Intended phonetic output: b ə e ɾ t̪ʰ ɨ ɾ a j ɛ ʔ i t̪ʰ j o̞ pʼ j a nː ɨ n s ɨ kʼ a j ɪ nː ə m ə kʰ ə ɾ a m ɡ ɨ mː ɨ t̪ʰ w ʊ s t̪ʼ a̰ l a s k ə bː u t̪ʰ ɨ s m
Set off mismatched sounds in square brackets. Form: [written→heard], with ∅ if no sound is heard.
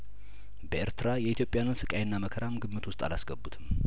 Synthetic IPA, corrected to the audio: b ə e ɾ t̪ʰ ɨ ɾ a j ɛ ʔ i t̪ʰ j o̞ pʼ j a [nː→n] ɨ n s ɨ kʼ a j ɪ nː [ə→a] m ə kʰ ə ɾ a m ɡ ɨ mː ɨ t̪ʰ w ʊ s t̪ʼ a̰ l a s [k→ɡ] ə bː u t̪ʰ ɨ [s→∅] m